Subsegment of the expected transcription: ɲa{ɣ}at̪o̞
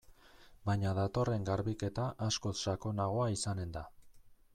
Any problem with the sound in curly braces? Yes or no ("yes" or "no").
yes